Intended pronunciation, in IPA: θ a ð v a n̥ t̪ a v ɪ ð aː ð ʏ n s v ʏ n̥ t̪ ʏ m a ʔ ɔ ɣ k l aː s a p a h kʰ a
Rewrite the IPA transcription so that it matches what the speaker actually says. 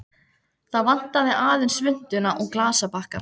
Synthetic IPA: θ a ð v a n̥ t̪ a v ɪ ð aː ð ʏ n s v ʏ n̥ t̪ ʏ n a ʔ ɔ ɣ k l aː s a p a h k a